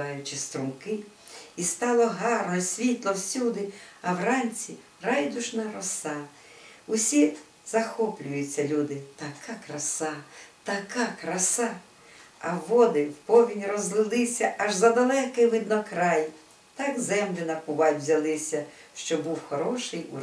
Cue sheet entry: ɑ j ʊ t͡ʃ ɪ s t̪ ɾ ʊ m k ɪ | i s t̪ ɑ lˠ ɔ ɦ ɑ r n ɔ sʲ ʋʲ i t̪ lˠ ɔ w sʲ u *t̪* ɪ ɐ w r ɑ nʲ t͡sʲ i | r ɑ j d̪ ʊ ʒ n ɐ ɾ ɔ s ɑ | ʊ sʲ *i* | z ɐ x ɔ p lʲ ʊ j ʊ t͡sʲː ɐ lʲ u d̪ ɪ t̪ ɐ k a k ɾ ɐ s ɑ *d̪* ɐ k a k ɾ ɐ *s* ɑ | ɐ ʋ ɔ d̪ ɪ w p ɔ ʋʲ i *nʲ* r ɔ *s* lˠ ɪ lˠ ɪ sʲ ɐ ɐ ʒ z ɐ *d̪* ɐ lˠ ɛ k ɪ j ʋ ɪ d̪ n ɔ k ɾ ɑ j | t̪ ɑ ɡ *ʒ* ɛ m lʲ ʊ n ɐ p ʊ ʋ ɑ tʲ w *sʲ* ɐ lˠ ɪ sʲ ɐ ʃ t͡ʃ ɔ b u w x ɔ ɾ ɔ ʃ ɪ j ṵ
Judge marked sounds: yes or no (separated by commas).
no, yes, no, yes, yes, no, yes, no, no